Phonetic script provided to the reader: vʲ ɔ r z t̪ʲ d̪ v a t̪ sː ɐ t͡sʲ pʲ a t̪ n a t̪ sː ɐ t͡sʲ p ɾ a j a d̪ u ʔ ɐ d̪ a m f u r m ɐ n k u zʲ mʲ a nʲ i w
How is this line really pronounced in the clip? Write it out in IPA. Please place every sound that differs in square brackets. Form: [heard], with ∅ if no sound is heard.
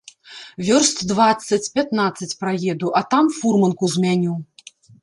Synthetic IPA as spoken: vʲ ɔ r [s] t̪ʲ d̪ v a t̪ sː ɐ t͡sʲ pʲ a t̪ n a t̪ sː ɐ t͡sʲ p ɾ a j [ɛ] d̪ u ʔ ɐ [t̪] a m f u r m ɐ n k u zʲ mʲ a nʲ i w